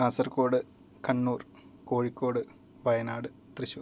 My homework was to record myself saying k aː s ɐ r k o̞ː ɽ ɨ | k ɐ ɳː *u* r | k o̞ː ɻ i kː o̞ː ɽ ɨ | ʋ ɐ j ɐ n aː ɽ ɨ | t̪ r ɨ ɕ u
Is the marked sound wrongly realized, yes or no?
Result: yes